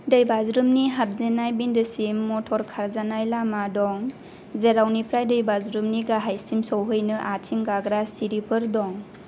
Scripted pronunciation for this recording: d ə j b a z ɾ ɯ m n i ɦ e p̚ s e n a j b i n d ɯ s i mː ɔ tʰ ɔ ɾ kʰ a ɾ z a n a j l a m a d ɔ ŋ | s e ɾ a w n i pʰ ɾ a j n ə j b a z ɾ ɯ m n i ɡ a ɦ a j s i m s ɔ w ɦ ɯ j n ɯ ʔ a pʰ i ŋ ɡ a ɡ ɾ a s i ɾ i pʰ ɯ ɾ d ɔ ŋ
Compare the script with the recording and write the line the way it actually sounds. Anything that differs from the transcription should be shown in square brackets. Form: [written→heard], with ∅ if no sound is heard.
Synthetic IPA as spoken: d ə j b a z ɾ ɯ m n i ɦ [e→a] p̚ [s→z] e n a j b i n d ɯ s i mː ɔ tʰ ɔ ɾ kʰ a ɾ z a n a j l a m a d ɔ ŋ | [s→z] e ɾ a w n i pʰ ɾ a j [n→d] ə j b a z ɾ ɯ m n i ɡ a ɦ a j s i m s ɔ w ɦ ɯ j n ɯ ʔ a [pʰ→tʰ] i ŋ ɡ a ɡ ɾ a s i ɾ i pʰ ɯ ɾ d ɔ ŋ